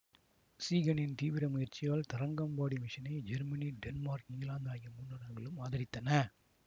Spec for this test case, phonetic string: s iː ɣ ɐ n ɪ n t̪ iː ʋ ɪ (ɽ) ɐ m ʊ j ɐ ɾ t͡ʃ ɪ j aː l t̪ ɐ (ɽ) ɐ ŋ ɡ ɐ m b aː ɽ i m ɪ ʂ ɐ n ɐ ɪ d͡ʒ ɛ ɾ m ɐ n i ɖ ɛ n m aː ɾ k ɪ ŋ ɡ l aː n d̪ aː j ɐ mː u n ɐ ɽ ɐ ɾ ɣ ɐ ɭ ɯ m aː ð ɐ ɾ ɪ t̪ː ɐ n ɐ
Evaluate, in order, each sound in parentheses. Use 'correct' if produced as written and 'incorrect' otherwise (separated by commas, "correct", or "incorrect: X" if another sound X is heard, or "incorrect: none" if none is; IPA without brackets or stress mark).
incorrect: ɾ, incorrect: ɾ